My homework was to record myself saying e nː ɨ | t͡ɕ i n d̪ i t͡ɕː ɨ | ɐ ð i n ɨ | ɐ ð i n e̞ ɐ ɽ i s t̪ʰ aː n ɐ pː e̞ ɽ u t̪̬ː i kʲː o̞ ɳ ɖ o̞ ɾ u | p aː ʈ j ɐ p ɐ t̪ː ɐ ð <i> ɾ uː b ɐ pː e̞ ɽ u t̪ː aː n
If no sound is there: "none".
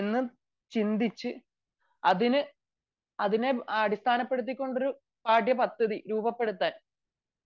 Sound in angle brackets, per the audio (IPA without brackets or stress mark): i